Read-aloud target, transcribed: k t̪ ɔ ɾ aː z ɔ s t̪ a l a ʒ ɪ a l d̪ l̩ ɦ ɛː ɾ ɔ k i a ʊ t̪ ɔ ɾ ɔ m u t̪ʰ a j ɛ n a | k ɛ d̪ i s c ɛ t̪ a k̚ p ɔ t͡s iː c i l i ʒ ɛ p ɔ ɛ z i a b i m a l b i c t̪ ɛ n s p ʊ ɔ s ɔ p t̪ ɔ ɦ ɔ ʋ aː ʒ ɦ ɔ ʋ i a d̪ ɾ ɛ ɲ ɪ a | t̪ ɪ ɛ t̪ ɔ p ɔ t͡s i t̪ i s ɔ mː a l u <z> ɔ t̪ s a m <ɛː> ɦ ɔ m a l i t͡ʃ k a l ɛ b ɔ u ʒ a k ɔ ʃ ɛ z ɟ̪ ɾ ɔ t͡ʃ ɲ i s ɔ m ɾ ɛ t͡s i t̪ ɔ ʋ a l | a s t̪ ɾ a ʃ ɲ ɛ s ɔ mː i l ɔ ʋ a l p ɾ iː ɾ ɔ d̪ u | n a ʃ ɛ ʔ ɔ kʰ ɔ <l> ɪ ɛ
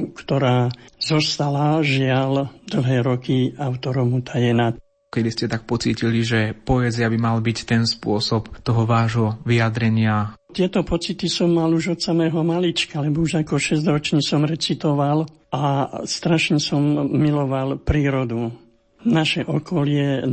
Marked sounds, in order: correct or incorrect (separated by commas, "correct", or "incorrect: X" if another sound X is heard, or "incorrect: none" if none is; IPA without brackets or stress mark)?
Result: incorrect: ʒ, correct, correct